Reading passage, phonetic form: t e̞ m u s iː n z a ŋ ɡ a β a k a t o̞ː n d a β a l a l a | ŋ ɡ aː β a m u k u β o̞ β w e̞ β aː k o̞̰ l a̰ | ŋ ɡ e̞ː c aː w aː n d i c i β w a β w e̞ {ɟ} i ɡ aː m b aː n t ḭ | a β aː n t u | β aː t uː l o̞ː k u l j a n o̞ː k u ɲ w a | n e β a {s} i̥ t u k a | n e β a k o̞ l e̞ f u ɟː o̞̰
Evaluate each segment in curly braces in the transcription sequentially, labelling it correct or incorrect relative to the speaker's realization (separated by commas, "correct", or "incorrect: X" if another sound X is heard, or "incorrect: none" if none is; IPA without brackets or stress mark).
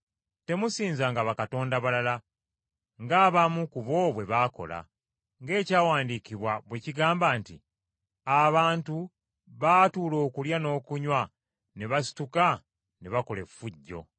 incorrect: c, correct